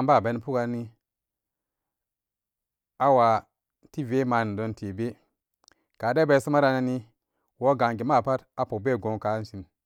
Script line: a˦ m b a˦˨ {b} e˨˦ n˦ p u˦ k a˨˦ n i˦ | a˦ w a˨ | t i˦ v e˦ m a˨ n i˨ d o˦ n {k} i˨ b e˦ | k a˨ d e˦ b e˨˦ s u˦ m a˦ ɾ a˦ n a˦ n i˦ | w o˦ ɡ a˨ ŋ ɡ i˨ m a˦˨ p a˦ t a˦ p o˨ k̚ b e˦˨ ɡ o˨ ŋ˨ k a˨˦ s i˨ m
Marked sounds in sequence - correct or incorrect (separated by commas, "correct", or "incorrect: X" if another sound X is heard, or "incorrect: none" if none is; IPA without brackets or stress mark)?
correct, incorrect: t